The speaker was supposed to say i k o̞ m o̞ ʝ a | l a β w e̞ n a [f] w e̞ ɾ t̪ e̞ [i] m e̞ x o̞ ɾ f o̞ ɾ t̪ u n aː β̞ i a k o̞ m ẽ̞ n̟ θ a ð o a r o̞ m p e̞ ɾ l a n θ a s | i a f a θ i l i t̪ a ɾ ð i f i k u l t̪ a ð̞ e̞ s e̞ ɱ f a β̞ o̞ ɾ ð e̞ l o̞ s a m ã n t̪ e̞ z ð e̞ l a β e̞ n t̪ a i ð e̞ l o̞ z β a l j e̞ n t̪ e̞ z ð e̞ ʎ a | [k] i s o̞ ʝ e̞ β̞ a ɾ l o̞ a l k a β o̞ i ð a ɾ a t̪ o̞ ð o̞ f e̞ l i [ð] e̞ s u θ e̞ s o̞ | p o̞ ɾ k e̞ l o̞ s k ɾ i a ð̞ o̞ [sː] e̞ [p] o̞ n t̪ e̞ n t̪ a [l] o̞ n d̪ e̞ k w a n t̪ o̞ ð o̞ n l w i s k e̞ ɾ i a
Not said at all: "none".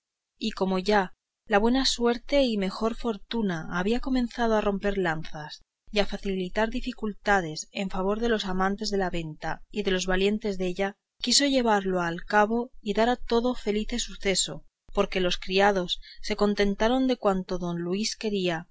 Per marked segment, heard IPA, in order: s, i, k, θ, sː, k, ɾ

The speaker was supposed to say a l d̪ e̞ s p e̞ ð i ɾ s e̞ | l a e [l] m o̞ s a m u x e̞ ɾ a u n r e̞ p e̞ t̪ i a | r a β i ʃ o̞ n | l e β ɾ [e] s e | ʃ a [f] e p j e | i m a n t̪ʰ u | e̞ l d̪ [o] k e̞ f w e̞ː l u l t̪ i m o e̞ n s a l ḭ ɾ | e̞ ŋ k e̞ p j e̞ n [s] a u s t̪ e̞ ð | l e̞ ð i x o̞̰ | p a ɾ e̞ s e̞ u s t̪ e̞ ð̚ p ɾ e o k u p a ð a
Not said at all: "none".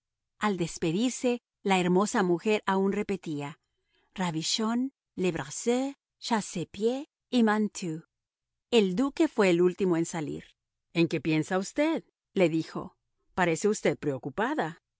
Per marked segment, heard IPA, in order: ɾ, a, s, u, s

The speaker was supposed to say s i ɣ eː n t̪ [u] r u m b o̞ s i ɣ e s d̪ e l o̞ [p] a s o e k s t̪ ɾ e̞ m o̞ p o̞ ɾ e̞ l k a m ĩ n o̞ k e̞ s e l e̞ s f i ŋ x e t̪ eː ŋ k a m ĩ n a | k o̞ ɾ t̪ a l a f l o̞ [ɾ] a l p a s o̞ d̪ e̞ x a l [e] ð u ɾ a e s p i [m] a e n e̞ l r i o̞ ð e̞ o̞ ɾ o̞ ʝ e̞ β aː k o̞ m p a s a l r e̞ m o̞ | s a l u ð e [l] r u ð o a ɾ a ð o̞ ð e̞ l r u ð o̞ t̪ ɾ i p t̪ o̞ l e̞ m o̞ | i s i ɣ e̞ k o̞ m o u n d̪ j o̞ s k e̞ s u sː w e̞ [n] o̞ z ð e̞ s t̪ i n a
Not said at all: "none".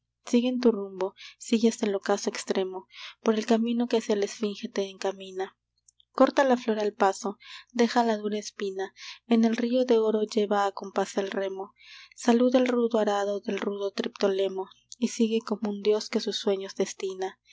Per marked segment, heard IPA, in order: u, k, ɾ, a, n, l, ɲ

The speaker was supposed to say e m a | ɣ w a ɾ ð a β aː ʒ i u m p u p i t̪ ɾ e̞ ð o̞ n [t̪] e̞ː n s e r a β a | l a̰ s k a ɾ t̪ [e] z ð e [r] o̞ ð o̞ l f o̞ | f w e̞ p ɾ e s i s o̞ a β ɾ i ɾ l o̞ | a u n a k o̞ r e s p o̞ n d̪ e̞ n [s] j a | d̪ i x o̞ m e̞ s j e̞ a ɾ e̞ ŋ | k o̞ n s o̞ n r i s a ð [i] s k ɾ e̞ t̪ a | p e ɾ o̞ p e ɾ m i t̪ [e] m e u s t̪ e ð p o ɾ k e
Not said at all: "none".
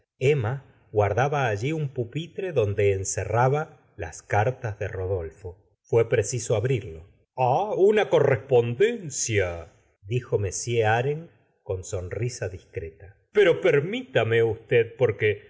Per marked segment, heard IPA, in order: d̪, a, r, s, i, a

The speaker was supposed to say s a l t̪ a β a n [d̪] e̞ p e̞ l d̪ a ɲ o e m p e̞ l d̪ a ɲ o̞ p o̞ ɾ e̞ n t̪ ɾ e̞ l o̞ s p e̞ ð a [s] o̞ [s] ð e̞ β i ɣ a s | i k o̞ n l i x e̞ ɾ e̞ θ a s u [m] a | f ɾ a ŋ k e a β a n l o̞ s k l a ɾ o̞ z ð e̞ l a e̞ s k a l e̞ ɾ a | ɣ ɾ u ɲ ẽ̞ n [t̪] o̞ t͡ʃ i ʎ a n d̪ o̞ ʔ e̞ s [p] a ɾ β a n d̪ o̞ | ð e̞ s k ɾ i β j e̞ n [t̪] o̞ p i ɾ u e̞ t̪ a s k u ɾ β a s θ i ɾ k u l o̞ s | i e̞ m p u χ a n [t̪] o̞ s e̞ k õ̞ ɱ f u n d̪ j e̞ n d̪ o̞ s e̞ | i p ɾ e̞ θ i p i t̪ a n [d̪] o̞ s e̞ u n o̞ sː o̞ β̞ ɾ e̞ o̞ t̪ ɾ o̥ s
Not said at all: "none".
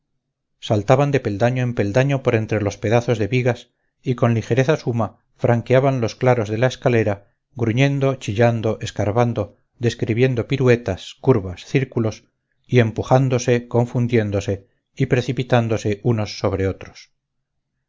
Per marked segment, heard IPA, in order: d̪, θ, z, m, d̪, k, d̪, d̪, d̪

